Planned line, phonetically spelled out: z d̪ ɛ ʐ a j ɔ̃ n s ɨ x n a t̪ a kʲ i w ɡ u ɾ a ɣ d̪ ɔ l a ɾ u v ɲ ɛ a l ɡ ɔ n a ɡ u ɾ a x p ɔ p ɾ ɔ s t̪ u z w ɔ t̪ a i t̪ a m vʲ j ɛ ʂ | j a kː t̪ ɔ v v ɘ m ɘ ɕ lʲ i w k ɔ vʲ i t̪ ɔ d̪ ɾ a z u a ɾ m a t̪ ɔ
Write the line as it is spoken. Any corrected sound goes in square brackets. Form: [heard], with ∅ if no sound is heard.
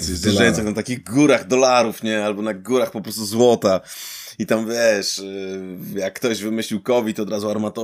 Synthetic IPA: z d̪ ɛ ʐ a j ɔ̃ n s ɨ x n a t̪ a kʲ i [ɣ] ɡ u ɾ a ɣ d̪ ɔ l a ɾ u [f] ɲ ɛ a l [b] ɔ n a ɡ u ɾ a x p ɔ p ɾ ɔ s t̪ u z w ɔ t̪ a i t̪ a m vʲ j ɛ ʂ | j a kː t̪ ɔ [ʑ] v ɘ m ɘ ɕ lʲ i w k ɔ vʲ i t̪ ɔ d̪ ɾ a z u a ɾ m a t̪ ɔ